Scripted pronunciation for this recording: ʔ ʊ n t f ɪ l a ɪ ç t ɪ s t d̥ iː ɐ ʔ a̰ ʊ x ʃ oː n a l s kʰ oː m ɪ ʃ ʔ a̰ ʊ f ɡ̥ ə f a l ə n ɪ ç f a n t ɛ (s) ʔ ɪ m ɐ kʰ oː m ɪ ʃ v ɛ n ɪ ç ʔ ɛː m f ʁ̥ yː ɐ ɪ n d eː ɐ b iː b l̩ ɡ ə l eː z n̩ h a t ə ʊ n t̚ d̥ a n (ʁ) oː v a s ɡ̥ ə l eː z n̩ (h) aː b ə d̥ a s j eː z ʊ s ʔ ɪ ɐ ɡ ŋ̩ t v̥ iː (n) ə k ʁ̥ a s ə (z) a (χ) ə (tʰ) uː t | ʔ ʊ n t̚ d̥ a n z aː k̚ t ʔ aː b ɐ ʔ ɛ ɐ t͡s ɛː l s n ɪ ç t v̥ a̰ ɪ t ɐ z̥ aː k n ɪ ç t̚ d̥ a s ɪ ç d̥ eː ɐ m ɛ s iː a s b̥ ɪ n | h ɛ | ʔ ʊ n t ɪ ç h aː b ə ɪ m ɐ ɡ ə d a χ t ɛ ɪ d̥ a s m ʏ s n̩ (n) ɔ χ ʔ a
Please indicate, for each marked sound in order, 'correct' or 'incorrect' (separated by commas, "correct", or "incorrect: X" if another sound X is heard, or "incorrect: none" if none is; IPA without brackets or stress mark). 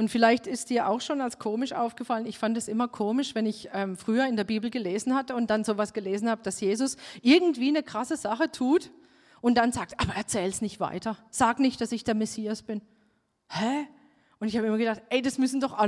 correct, incorrect: z, correct, correct, correct, correct, correct, incorrect: d